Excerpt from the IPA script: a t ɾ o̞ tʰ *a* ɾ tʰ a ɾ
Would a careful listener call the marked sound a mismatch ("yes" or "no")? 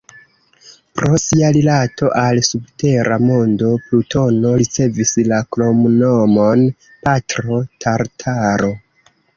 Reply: no